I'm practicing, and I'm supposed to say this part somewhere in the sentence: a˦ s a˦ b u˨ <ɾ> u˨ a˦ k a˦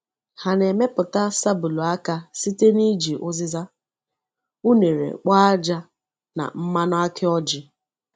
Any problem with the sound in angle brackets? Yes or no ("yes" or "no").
yes